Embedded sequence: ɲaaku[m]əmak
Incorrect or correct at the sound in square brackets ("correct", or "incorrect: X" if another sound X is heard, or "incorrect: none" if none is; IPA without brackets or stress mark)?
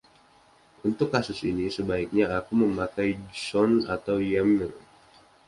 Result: correct